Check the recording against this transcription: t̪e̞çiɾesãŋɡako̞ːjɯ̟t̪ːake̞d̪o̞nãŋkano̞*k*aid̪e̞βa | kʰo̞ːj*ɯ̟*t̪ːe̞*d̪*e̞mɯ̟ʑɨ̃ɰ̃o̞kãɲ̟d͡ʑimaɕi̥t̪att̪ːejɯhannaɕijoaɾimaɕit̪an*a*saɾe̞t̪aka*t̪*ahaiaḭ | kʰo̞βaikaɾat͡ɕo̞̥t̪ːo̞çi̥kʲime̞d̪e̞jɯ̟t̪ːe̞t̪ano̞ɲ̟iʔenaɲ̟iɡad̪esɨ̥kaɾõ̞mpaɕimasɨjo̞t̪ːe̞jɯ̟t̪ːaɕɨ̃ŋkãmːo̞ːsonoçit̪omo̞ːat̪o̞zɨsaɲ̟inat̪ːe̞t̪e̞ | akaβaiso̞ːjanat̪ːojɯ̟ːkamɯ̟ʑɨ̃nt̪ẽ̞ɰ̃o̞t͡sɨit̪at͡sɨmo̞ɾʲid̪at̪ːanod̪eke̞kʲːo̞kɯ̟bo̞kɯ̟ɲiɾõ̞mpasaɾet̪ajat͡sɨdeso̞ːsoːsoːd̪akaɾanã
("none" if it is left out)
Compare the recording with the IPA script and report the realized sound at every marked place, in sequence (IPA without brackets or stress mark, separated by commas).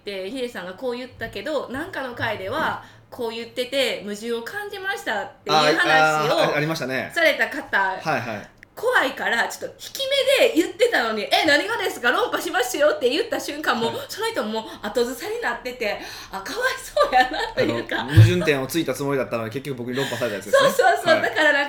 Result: k, ɯ̟, t̪, e, t̪